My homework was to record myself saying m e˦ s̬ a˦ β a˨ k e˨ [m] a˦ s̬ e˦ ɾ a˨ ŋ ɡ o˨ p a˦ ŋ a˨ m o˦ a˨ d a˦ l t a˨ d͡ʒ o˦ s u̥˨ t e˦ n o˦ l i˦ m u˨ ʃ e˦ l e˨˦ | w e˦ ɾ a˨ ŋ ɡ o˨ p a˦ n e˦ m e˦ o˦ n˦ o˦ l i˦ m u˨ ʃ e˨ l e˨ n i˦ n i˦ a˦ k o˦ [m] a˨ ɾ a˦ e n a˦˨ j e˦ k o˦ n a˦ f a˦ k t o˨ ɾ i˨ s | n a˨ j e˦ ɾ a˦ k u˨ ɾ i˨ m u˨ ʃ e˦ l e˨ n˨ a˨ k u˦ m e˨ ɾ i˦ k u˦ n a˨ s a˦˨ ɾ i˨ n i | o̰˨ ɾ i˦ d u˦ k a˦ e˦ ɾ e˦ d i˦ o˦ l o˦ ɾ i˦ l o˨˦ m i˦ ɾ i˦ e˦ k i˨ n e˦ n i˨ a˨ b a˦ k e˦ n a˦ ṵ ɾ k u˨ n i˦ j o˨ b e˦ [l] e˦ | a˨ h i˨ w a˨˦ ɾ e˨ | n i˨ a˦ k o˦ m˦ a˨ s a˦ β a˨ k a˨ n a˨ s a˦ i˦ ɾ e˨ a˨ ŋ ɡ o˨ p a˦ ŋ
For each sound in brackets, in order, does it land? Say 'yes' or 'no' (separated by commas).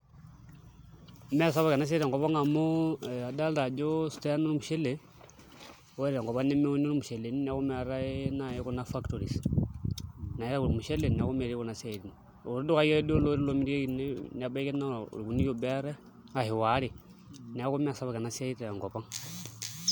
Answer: no, yes, no